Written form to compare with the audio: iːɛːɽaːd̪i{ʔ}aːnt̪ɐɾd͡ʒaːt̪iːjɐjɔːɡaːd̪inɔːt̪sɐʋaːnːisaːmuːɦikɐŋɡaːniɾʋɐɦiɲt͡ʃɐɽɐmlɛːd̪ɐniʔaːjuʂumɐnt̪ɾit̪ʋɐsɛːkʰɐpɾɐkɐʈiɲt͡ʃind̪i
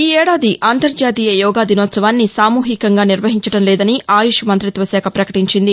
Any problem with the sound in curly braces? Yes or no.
no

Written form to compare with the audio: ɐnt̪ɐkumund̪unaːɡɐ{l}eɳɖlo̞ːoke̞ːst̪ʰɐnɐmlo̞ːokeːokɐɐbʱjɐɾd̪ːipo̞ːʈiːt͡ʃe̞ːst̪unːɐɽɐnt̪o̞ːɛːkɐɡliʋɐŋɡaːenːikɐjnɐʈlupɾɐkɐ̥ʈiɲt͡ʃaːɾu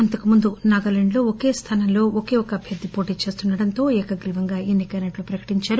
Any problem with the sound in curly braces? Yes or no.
no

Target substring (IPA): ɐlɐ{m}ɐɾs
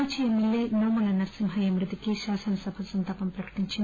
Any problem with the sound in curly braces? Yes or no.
yes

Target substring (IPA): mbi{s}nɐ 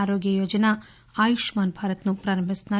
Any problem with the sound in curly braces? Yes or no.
no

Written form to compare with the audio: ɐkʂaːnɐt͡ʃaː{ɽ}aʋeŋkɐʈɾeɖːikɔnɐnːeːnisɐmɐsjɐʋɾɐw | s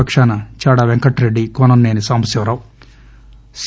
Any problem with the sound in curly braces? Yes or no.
no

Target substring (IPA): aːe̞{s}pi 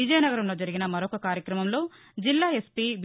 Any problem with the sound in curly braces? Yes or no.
no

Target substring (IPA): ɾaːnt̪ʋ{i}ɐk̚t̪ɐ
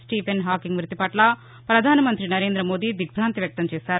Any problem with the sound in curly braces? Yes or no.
yes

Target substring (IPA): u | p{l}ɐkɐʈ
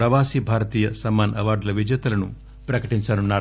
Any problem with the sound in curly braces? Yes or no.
yes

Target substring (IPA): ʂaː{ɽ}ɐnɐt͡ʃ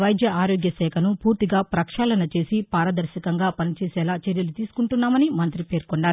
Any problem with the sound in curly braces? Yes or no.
yes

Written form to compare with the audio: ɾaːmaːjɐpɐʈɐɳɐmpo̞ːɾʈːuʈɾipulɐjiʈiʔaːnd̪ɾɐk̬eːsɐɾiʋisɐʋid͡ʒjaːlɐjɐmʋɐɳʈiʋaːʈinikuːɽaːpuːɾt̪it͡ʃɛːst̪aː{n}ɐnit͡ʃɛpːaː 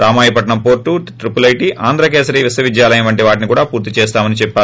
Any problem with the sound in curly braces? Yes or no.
yes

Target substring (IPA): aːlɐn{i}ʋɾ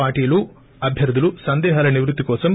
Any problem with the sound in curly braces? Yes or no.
no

